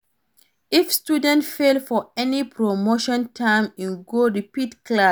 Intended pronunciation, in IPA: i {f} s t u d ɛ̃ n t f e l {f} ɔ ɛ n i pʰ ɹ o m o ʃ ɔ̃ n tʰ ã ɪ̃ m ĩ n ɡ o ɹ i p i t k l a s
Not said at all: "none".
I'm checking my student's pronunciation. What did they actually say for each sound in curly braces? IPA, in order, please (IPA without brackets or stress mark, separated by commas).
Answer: f, f